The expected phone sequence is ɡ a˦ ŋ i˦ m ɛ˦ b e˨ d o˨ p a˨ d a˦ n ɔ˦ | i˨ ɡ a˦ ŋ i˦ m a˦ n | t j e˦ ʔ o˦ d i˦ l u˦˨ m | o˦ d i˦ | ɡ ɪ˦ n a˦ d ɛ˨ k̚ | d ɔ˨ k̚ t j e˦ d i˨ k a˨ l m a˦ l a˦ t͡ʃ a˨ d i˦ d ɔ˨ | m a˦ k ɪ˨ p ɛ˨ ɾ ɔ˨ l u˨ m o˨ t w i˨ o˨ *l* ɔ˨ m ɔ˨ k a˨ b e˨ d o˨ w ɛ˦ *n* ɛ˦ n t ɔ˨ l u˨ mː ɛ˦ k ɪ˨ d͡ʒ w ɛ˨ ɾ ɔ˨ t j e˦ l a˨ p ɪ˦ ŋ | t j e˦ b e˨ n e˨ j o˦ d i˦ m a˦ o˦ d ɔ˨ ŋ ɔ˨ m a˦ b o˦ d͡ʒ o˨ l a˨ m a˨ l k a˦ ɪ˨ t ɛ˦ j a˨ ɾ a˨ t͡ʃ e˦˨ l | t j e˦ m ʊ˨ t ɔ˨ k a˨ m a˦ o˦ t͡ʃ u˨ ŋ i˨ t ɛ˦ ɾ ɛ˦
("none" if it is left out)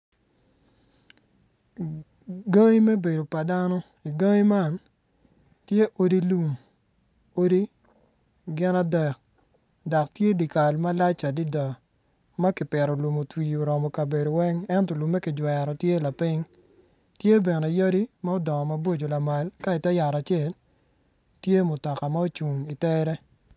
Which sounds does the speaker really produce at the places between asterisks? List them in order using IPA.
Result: ɾ, ŋ

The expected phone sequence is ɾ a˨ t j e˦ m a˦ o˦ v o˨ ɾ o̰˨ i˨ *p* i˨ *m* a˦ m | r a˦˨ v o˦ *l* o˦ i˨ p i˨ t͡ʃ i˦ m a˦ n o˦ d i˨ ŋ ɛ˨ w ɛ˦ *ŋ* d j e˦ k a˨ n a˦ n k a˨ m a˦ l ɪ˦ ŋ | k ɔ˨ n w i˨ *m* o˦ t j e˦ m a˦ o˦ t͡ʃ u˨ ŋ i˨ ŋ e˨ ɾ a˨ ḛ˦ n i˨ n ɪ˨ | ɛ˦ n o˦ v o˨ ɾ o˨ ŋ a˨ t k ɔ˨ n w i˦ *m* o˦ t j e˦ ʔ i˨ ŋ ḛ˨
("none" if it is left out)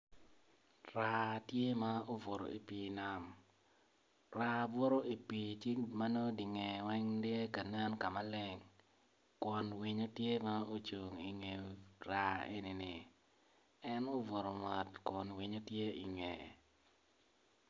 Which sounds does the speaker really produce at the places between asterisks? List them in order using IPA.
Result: p, n, ɾ, ŋ, ɲ, ɲ

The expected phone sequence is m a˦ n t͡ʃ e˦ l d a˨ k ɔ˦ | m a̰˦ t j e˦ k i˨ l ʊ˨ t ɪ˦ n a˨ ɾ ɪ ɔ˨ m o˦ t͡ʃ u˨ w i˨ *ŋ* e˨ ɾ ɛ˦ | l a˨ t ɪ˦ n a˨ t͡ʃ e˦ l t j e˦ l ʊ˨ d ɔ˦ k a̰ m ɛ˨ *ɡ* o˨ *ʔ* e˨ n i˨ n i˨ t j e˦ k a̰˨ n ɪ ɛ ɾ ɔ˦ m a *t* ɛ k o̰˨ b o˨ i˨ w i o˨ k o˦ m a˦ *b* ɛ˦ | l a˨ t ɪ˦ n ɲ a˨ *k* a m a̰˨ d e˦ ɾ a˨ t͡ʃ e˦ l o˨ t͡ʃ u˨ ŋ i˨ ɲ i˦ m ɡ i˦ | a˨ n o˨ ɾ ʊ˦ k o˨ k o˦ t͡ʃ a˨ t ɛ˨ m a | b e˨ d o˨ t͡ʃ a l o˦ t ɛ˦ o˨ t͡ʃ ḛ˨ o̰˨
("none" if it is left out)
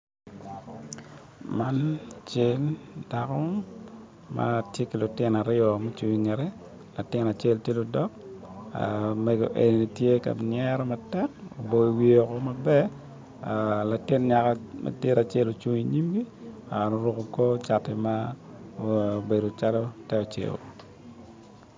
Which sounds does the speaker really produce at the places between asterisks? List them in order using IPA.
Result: ŋ, ɡ, ʔ, t, b, k

